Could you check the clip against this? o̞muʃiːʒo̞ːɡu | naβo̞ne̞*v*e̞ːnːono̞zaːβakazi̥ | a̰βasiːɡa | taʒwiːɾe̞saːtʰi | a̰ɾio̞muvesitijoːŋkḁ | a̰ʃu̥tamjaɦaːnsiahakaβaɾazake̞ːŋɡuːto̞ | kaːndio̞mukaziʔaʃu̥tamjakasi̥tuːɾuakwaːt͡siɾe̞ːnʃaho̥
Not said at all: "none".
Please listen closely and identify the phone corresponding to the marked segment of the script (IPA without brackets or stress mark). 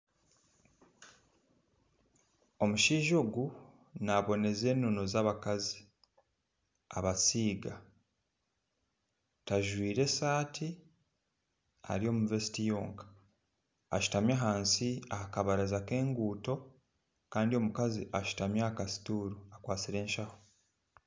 z